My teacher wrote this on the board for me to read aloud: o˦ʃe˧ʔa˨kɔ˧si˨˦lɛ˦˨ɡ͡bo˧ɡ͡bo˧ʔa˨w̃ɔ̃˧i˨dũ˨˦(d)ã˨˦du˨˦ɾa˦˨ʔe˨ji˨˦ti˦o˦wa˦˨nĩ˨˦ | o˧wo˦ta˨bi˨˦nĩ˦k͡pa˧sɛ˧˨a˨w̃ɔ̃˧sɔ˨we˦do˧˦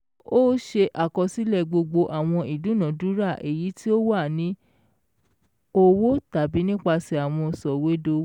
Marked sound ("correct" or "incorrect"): incorrect